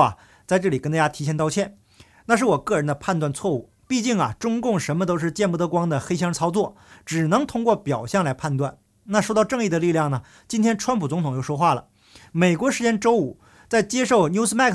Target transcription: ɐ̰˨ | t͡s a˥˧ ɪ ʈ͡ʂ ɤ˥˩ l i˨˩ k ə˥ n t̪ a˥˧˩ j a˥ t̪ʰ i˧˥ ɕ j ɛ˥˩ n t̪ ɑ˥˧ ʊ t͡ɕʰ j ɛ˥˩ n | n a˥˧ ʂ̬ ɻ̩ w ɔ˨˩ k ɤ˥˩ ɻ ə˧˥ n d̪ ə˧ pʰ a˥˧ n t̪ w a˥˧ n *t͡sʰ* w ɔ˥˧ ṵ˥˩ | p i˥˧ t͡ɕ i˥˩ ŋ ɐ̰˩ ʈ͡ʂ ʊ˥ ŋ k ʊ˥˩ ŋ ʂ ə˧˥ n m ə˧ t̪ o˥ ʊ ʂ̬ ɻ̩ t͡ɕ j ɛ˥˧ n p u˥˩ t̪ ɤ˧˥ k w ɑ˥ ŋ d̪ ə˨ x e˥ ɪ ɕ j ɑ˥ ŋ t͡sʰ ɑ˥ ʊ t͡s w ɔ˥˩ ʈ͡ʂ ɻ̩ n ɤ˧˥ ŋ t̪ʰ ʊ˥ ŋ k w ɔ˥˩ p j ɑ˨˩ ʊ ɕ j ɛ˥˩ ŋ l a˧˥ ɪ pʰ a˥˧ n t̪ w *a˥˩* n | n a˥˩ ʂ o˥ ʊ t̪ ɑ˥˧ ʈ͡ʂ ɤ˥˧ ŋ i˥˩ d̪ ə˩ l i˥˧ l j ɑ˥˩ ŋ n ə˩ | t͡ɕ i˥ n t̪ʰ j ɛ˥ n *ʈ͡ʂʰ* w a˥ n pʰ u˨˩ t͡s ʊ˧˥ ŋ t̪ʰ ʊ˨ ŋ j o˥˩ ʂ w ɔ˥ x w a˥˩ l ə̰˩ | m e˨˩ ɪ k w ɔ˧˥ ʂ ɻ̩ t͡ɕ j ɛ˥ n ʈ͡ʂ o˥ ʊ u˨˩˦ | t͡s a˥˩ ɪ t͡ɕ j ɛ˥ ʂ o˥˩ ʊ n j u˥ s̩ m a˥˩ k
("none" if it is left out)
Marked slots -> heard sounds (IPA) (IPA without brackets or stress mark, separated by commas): t͡sʰ, a˥˩, ʈ͡ʂʰ